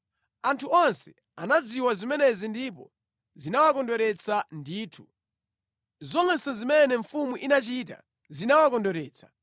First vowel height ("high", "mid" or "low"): low